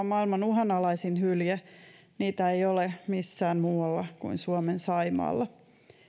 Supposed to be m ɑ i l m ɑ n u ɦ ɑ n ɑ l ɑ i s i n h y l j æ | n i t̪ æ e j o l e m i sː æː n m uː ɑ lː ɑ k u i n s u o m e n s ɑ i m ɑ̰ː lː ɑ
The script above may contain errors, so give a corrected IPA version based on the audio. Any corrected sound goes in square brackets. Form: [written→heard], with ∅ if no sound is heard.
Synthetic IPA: m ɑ i l m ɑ n u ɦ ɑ n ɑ l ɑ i s i n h y l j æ | n [i→iː] t̪ æ e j o l e m i sː æː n m uː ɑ lː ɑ k u i n s u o m e n s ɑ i m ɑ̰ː lː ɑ